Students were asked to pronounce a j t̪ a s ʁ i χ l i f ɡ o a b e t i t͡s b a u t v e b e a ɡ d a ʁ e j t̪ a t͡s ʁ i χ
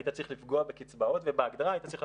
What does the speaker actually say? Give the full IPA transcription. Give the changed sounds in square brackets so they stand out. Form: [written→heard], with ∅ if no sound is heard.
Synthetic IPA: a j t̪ a [s→t͡s] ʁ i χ l i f ɡ o a b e [t→k] i t͡s b a [u→o] t v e b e a ɡ d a ʁ [e→a] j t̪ a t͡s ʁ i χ